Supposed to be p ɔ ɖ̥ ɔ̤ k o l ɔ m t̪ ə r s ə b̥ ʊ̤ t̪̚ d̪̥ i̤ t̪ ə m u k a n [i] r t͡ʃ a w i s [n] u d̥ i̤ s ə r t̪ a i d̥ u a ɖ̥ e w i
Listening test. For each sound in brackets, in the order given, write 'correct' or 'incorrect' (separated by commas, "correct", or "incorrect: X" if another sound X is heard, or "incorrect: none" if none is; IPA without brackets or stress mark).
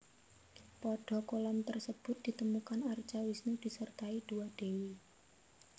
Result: incorrect: a, correct